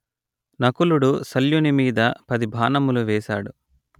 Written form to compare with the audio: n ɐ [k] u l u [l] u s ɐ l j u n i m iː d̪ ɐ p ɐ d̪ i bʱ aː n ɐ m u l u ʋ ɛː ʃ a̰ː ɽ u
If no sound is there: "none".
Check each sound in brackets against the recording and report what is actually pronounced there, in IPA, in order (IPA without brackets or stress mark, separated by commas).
k, ɽ